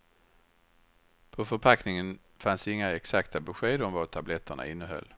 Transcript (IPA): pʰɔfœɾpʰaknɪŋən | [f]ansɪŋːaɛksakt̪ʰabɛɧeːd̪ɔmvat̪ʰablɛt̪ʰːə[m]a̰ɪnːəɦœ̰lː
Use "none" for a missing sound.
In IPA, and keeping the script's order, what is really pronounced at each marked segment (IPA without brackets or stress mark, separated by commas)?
f, ɳ